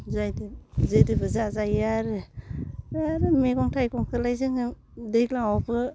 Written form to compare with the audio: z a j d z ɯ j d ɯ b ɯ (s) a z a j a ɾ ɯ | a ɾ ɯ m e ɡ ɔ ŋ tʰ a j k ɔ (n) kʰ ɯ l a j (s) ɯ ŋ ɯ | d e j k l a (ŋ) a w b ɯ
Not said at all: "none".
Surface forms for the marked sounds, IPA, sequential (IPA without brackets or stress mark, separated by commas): z, ŋ, z, ŋ